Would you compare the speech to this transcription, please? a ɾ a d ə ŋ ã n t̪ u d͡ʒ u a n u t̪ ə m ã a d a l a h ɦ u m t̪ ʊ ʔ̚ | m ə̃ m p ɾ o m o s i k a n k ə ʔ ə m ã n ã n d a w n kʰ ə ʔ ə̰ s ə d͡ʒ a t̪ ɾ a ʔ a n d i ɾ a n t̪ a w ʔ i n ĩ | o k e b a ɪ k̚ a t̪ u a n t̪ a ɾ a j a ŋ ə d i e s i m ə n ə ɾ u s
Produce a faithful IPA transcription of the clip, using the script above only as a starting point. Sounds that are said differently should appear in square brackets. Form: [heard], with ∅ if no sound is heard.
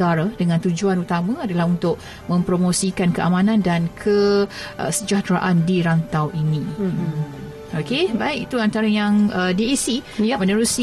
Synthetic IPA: a ɾ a d ə ŋ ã n t̪ u d͡ʒ u a n u t̪ [a] m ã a d a l a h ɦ u [n] t̪ ʊ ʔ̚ | m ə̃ m p ɾ o m o s i k a n k ə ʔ [a] m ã n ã n d a [∅] n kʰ ə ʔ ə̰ s ə d͡ʒ a t̪ ɾ a ʔ a n d i ɾ a n t̪ a w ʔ i n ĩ | o k e b a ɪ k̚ [i] t̪ u a n t̪ a ɾ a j a ŋ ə d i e s i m ə n ə ɾ u s